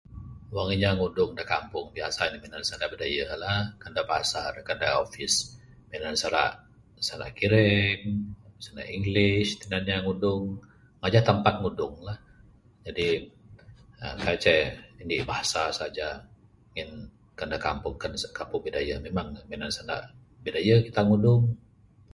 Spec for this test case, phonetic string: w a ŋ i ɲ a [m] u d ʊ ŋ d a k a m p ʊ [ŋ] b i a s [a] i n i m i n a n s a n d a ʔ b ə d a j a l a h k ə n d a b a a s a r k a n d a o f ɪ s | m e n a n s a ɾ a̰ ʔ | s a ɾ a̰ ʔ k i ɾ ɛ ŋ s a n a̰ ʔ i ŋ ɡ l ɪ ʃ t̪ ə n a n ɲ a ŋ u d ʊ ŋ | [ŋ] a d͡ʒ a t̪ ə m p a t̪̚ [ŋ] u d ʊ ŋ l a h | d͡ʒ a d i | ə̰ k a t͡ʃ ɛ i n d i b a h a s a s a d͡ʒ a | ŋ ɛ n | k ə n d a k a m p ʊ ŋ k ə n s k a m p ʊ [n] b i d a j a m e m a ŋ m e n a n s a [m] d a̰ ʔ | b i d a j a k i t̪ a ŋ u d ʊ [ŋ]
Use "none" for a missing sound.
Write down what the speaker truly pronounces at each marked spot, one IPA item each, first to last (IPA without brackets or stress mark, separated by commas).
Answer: ŋ, ŋ, a, ŋ, ŋ, ŋ, n, ŋ